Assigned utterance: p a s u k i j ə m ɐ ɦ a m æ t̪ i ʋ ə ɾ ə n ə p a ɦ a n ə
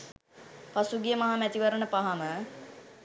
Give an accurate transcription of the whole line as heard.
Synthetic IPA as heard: p a s u ɡ i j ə m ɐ ɦ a m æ t̪ i ʋ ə ɾ ə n ə p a ɦ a m ə